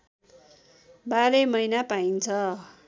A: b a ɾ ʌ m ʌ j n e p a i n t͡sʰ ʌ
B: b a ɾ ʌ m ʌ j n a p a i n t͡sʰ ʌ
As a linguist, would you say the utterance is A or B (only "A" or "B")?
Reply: B